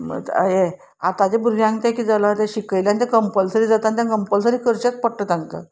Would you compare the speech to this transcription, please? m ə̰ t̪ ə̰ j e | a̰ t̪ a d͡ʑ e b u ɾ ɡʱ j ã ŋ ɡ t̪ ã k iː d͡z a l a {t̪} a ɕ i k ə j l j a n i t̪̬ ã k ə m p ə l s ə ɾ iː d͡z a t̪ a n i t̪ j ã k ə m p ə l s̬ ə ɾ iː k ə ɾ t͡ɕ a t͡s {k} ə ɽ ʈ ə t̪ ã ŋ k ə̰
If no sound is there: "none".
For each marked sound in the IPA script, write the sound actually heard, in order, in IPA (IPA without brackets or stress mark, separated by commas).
t̪, p